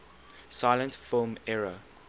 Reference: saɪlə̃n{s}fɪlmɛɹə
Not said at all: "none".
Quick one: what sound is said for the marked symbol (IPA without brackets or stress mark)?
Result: t